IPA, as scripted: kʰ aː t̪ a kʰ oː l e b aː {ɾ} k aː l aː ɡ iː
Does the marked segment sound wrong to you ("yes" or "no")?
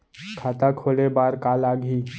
no